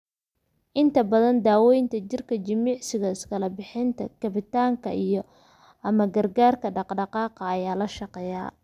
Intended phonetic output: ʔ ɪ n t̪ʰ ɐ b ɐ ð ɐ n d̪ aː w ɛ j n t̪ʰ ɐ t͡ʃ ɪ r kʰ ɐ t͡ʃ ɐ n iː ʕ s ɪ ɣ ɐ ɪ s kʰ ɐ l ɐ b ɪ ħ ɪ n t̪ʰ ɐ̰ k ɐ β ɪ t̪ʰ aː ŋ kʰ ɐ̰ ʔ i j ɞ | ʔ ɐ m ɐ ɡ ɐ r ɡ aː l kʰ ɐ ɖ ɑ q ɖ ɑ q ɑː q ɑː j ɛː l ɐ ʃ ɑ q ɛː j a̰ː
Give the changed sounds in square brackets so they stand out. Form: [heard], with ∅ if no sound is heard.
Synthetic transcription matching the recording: ʔ ɪ n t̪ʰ ɐ b ɐ ð ɐ n d̪ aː w ɛ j n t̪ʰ ɐ t͡ʃ ɪ r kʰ ɐ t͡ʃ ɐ [m] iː ʕ s ɪ ɣ ɐ ɪ s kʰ ɐ l ɐ b ɪ ħ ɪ n t̪ʰ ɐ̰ k ɐ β ɪ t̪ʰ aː ŋ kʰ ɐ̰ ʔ i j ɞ | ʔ ɐ m ɐ ɡ ɐ r ɡ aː [r] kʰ ɐ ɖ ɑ q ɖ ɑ q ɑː q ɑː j [aː] l ɐ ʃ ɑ q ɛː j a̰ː